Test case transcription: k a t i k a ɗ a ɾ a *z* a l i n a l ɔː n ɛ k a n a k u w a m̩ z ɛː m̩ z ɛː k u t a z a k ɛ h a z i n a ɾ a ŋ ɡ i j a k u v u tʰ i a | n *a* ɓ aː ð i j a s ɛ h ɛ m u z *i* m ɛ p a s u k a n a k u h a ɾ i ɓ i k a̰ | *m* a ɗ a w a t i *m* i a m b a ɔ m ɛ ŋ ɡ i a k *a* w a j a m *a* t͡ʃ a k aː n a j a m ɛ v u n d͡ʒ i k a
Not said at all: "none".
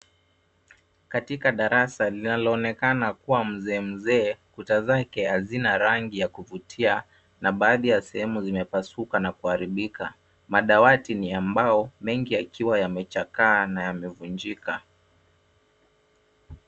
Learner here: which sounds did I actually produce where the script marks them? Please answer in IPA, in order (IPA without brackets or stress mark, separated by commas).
s, a, i, m, n, i, ɛ